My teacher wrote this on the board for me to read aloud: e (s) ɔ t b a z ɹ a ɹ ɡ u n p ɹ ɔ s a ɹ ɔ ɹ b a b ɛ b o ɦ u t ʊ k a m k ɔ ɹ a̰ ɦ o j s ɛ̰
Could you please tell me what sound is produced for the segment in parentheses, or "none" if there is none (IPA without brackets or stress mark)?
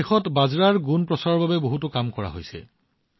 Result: x